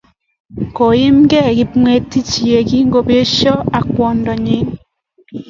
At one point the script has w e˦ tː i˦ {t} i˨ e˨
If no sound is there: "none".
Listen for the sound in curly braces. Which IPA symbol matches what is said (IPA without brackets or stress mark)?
t͡ʃ